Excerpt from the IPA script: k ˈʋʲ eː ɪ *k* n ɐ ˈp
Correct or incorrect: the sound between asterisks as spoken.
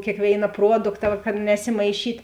incorrect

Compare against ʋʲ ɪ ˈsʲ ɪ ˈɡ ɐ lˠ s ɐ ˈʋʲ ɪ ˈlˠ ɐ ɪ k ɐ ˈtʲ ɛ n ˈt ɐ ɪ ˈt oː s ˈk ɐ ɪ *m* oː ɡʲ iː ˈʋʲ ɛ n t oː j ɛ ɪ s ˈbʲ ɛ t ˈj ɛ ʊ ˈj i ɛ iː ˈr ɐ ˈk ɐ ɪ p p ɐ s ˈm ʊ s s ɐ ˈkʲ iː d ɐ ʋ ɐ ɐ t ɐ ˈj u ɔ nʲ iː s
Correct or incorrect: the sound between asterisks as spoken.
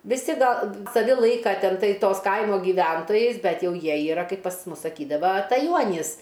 correct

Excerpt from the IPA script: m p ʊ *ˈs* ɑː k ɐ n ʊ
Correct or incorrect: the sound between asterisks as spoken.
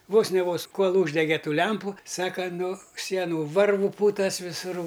correct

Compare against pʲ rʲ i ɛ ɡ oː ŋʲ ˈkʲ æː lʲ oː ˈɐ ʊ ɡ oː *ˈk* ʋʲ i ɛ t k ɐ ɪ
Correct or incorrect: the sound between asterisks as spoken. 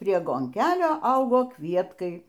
correct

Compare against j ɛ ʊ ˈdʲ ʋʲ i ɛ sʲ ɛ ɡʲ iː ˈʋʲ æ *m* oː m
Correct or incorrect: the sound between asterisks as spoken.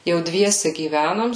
incorrect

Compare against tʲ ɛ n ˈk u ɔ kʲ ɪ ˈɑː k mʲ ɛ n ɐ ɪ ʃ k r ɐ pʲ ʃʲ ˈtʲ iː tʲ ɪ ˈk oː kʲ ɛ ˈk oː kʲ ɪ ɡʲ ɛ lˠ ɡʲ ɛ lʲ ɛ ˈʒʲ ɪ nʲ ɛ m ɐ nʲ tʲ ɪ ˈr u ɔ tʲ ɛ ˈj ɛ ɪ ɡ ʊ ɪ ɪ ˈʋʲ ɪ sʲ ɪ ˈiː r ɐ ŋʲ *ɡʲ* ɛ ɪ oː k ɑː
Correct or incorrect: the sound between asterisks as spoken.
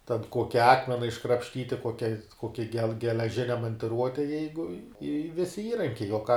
incorrect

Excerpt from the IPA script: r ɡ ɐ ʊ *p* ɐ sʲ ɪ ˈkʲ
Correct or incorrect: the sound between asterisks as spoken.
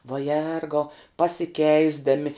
correct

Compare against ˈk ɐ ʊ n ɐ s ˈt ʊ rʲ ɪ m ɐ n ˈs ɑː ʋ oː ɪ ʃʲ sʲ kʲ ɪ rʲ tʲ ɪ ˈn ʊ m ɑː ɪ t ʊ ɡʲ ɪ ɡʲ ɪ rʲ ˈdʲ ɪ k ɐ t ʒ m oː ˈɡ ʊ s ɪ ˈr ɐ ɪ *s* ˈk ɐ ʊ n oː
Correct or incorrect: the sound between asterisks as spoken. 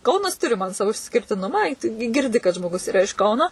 incorrect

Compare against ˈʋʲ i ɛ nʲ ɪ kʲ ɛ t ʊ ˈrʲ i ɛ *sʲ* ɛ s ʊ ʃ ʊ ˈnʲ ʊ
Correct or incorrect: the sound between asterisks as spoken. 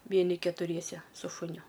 correct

